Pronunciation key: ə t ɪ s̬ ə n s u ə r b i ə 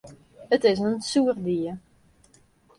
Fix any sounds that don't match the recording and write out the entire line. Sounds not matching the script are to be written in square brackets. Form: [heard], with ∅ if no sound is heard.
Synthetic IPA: ə t ɪ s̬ ə n s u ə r [d] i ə

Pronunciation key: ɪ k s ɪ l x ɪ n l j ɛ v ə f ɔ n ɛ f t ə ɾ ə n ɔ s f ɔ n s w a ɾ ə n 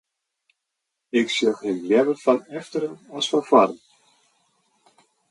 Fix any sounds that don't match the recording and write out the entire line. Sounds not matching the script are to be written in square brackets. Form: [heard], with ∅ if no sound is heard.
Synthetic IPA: ɪ k s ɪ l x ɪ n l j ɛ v ə f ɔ n ɛ f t ə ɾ ə n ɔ s f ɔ n [f] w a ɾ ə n

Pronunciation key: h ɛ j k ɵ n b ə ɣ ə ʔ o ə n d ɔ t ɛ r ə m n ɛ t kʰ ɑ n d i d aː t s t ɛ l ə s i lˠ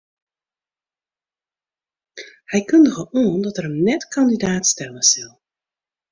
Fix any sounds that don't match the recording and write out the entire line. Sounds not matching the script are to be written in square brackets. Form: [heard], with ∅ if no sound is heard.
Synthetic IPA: h ɛ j k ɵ n [d] ə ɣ ə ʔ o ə n d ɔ t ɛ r ə m n ɛ t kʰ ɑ n d i d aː t s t ɛ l ə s [ɪ] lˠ

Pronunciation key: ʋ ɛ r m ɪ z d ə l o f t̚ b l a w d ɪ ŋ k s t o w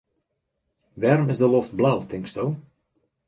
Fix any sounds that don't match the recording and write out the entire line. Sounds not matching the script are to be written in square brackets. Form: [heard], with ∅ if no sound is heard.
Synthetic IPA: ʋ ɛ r m ɪ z d ə l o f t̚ b l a w [t] ɪ ŋ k s t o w

